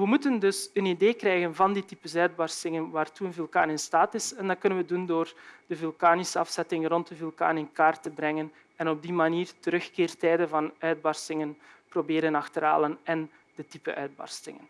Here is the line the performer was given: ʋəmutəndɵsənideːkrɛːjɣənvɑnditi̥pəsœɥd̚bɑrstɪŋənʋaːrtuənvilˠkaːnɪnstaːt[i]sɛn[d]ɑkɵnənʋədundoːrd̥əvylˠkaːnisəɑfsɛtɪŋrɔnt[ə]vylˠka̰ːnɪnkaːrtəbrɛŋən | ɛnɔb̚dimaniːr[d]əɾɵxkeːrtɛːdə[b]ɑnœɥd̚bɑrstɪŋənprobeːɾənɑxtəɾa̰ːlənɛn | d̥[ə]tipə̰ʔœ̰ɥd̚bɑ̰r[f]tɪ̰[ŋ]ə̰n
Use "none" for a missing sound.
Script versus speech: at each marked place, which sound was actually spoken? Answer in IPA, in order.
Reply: ɪ, d, ə, t, v, ə, s, ŋ

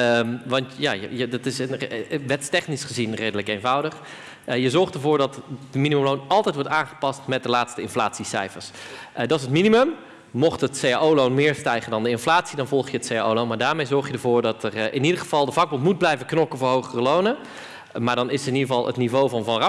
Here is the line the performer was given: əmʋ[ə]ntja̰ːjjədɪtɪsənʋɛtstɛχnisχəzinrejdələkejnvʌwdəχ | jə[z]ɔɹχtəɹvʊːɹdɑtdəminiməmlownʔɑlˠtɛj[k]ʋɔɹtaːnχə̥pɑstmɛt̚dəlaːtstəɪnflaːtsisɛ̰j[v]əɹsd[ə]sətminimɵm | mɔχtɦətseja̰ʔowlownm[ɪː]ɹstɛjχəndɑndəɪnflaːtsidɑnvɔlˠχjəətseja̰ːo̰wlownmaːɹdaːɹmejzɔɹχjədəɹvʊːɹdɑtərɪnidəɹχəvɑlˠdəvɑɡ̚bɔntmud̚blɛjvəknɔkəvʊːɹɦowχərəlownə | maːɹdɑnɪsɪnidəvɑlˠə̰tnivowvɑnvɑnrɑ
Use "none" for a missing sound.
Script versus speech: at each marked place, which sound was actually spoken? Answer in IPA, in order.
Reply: ɑ, z, t, f, ɑ, ɪː

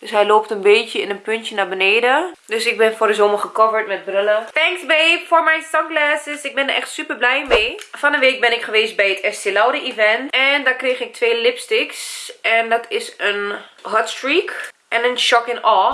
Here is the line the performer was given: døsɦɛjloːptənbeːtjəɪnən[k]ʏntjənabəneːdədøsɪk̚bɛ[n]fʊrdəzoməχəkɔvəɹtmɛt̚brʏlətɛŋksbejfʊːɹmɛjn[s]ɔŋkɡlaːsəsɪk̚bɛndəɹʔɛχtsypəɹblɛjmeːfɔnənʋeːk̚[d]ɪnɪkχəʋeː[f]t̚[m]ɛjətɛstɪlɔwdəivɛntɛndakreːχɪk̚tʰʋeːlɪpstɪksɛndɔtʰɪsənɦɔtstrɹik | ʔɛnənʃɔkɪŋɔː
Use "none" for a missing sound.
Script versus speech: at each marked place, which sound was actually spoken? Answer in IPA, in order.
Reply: p, n, s, b, s, b

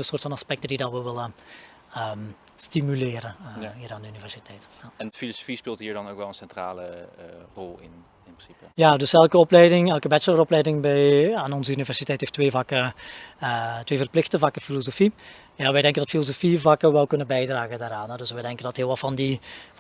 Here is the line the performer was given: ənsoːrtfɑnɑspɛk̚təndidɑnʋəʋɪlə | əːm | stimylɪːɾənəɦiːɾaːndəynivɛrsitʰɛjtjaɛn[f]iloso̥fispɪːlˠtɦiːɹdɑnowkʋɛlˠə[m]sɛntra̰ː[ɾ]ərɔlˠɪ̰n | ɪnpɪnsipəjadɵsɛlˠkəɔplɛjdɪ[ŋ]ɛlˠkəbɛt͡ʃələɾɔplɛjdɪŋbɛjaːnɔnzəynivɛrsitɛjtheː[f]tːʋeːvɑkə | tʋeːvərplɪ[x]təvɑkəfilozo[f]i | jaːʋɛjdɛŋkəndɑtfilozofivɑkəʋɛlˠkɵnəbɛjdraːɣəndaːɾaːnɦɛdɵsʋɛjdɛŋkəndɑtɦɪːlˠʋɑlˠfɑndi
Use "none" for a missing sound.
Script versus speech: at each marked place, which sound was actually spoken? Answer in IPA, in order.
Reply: f, n, l, ŋ, f, x, f

